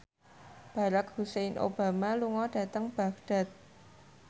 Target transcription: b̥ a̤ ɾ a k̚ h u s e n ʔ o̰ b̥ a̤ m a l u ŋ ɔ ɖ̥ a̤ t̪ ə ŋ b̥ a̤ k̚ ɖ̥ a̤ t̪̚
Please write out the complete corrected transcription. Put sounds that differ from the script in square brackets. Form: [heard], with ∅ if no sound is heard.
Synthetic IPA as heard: b̥ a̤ ɾ a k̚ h u s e n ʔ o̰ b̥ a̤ m a l u ŋ ɔ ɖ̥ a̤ t̪ ə ŋ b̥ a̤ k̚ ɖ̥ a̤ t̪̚